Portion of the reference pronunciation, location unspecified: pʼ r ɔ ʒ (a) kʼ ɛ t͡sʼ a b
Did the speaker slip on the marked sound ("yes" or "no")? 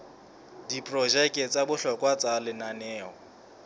yes